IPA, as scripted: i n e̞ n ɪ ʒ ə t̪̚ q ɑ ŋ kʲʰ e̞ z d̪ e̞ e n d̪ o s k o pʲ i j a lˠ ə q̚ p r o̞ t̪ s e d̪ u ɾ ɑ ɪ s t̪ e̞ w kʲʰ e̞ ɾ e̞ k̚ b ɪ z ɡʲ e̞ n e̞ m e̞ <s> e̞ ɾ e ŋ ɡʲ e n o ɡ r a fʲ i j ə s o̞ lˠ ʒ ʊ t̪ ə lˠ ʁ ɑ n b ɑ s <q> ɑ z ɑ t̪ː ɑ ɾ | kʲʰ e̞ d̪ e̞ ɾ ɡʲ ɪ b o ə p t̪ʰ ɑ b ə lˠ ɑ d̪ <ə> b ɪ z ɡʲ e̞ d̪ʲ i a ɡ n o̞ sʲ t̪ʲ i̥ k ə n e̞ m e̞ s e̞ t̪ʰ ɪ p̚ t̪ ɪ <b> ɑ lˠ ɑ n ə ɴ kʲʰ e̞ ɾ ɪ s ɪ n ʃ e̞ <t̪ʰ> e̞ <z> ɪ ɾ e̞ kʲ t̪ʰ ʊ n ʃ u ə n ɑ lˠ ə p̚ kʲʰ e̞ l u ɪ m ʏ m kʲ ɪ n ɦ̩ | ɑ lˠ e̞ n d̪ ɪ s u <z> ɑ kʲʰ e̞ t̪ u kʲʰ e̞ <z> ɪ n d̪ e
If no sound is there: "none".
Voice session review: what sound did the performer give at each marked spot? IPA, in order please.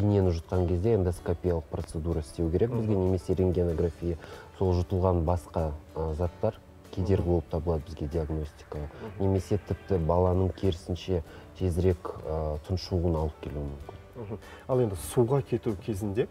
s, q, ə, b, t̪ʰ, z, ʁ, z

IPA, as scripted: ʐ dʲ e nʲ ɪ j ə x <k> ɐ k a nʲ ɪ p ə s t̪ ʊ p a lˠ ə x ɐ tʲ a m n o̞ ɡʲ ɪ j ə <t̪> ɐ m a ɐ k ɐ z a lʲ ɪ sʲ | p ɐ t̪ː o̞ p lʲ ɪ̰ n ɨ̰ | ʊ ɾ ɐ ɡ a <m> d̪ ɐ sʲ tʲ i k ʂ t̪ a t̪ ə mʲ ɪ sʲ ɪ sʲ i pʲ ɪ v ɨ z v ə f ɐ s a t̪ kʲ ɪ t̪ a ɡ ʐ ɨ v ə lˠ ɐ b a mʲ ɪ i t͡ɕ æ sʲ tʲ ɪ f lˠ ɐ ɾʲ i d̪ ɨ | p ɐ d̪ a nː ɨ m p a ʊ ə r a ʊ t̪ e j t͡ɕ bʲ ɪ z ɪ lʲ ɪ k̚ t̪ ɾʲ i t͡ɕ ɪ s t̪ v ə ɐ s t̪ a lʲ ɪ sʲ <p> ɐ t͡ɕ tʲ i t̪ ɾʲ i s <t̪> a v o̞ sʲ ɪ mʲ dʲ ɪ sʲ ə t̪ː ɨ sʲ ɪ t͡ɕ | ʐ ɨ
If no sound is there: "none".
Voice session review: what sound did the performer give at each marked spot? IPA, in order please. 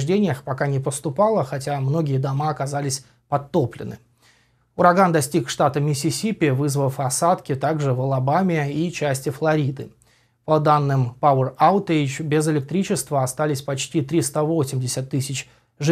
p, d̪, n, p, t̪

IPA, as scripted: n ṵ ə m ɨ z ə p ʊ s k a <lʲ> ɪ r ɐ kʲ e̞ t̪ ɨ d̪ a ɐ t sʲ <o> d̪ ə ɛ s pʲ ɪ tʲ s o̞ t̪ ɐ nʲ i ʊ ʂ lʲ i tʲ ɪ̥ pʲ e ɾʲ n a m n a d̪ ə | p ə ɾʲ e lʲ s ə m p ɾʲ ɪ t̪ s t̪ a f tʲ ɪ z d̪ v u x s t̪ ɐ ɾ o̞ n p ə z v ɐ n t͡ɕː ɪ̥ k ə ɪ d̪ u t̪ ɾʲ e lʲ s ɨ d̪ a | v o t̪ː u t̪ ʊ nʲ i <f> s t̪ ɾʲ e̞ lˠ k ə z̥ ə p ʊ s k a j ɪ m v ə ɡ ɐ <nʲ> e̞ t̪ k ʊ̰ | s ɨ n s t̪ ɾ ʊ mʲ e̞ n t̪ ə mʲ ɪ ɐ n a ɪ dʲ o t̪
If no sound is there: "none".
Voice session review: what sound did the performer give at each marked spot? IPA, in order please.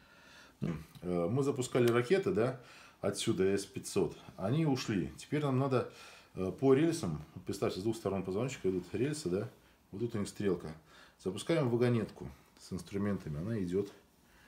lʲ, u, x, nʲ

